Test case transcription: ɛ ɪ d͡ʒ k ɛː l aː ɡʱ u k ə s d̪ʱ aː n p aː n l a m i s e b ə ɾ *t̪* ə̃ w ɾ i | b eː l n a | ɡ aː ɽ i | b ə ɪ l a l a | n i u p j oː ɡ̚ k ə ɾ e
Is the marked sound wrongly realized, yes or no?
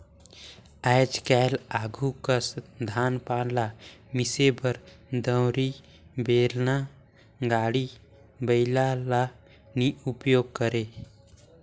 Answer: yes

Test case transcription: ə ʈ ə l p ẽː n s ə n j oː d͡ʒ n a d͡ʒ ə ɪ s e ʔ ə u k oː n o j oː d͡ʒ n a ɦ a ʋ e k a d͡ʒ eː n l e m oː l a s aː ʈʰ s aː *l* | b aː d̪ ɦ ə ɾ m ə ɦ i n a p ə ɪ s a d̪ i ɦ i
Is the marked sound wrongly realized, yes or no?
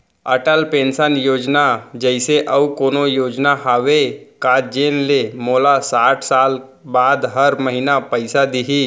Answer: no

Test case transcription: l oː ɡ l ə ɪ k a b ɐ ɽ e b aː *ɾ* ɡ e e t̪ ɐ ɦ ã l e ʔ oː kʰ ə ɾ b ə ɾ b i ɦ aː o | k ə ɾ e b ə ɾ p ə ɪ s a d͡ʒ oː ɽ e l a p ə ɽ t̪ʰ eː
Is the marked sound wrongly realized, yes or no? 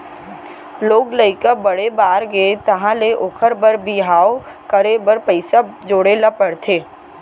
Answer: no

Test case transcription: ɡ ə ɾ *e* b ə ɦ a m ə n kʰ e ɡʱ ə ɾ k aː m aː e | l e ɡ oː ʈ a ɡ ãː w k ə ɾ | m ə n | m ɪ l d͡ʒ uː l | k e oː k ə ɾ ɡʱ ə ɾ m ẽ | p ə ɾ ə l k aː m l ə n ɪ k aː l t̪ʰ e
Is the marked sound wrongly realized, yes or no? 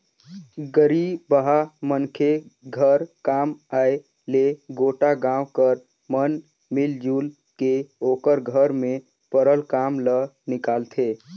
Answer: yes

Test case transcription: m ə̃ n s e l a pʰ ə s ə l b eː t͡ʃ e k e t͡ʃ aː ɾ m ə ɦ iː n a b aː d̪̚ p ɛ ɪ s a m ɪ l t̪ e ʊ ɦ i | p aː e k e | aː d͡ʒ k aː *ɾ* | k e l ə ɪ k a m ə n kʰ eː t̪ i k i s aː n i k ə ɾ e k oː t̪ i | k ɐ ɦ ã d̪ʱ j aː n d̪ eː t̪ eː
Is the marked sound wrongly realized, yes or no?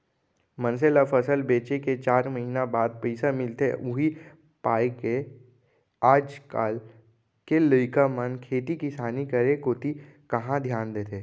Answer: yes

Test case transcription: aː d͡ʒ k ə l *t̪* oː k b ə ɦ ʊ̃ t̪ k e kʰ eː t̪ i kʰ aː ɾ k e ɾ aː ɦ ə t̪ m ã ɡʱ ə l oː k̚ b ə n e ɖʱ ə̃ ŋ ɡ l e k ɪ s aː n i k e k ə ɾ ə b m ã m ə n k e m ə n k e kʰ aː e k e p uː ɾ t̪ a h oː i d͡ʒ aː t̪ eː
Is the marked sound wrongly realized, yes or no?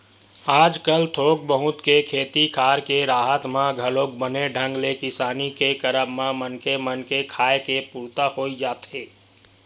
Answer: yes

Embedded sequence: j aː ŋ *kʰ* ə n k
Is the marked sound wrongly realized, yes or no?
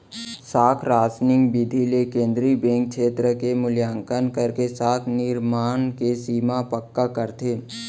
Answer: yes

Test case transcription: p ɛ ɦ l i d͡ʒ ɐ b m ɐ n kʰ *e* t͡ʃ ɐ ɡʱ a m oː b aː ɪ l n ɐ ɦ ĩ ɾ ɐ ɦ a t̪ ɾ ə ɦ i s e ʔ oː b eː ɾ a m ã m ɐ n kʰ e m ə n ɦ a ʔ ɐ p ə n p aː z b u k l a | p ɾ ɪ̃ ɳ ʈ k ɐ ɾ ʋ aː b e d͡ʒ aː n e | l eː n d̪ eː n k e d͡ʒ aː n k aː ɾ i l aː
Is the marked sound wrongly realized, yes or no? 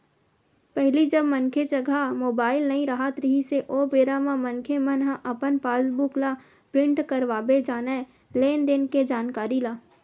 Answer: no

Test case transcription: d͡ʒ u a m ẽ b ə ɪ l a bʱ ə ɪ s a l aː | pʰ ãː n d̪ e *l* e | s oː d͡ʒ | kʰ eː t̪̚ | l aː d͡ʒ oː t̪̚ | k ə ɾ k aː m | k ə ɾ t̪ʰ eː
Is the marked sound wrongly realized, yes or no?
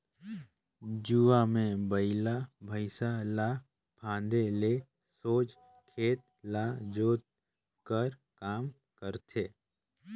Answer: no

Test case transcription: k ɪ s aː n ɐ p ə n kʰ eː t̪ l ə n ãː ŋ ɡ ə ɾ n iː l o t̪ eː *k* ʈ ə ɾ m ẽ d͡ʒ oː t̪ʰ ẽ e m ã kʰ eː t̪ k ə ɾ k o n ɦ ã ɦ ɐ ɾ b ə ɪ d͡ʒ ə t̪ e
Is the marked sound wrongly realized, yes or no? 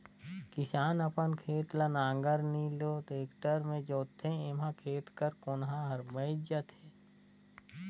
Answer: no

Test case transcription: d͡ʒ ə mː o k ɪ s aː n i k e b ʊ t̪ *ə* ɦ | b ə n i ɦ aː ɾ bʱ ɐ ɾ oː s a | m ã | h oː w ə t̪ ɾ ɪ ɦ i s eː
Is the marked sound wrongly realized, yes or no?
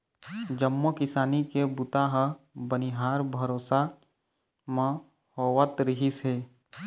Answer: yes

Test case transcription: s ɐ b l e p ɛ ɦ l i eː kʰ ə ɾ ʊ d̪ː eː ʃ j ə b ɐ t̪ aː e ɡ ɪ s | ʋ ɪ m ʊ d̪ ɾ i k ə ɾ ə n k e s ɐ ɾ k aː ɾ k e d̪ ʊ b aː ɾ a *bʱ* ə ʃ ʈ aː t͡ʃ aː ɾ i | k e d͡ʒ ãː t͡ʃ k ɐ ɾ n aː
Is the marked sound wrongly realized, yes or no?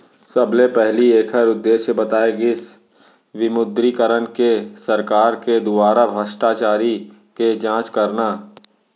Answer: no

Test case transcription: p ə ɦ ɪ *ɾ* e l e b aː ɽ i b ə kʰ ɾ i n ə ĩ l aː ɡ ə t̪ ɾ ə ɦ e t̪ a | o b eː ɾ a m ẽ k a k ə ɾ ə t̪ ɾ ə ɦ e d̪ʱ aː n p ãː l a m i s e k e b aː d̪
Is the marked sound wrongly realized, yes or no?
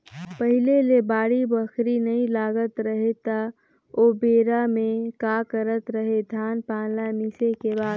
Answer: yes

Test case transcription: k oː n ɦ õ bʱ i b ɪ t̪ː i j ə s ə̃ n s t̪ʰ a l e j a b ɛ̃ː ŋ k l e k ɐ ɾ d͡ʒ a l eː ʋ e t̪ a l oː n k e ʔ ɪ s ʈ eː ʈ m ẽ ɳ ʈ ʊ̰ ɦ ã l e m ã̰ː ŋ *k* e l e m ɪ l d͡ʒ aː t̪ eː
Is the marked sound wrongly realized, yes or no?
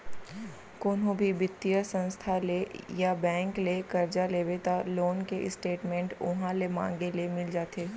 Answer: yes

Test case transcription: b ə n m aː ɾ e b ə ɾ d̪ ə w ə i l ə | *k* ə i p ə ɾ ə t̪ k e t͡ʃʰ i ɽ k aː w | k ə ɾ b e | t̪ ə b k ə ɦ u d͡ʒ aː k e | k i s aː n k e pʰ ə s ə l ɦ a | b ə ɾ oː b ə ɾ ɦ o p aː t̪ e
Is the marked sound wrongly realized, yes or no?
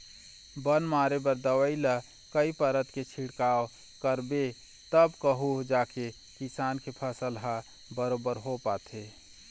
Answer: no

